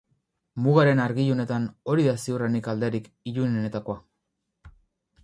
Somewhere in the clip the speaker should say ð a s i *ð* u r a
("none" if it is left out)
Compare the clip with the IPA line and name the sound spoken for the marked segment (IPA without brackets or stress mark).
none